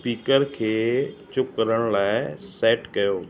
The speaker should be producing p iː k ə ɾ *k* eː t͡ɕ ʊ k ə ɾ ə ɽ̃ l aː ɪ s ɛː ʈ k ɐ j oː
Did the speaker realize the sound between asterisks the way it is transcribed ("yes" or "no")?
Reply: no